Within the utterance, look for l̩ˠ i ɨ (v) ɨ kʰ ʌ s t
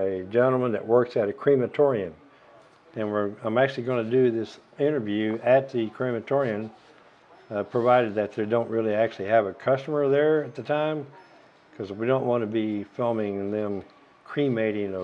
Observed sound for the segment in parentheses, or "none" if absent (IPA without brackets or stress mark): v